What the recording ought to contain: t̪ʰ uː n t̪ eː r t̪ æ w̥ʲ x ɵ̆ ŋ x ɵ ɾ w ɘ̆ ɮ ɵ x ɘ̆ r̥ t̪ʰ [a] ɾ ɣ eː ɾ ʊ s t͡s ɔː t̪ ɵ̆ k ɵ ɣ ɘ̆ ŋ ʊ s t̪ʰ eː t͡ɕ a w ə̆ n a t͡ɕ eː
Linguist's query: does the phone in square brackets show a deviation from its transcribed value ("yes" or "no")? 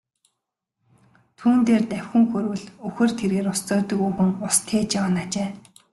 yes